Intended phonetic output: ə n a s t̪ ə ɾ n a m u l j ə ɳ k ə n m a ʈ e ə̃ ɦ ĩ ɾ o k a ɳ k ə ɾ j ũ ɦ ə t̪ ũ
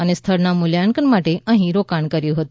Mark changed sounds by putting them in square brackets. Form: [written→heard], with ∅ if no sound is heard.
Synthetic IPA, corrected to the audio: ə n [a→e] s [t̪→t̪ʰ] ə ɾ n a m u l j [ə→a] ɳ k ə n m a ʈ e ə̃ ɦ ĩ ɾ o k a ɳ k ə ɾ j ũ ɦ ə t̪ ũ